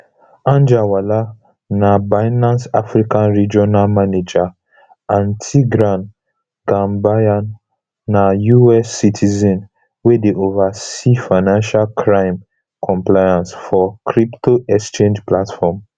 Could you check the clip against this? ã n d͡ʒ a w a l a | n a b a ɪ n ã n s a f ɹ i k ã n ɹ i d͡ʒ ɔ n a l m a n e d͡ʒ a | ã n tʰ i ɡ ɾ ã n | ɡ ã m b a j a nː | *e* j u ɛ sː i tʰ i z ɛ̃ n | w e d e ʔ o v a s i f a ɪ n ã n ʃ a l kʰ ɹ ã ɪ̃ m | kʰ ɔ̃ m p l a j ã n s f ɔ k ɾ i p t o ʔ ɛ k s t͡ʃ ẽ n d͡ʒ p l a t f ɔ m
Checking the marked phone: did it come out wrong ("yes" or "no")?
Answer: yes